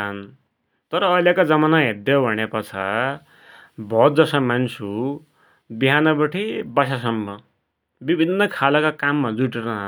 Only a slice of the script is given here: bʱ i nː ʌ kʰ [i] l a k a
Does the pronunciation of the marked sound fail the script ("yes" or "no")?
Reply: yes